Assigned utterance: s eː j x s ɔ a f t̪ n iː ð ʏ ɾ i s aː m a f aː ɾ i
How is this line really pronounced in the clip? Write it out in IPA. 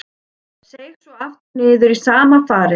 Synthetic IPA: s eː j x s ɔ a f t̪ n ɪː ð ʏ ɾ i s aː m a f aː ɾ ɪ